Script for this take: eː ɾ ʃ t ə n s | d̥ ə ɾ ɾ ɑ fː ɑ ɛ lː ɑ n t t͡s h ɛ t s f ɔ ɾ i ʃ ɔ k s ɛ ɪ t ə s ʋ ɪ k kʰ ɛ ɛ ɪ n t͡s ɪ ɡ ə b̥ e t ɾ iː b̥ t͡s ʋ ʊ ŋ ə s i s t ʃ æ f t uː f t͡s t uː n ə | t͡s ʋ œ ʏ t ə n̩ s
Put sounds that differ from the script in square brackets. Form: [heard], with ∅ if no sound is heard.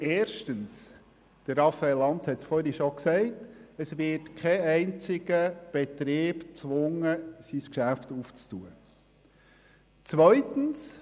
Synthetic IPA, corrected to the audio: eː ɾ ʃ t ə n s | d̥ ə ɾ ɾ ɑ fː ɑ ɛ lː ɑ n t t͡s h ɛ t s f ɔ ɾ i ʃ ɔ k s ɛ ɪ t ə s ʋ ɪ [t] kʰ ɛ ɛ ɪ n t͡s ɪ ɡ ə b̥ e t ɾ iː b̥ t͡s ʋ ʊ ŋ ə s i s [k] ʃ æ f t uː f t͡s t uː [∅] ə | t͡s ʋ œ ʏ t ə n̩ s